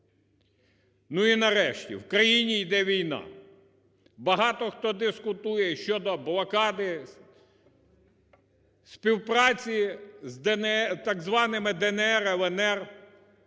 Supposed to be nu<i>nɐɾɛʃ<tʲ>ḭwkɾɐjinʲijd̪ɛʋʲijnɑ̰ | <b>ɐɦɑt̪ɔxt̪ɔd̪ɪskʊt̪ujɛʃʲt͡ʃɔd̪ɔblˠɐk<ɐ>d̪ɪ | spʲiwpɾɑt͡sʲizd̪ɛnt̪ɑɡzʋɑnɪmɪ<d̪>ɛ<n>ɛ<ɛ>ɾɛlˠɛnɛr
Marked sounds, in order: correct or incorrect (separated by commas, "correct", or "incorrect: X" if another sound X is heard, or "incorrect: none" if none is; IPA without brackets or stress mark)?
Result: correct, correct, correct, incorrect: ɑ, correct, correct, correct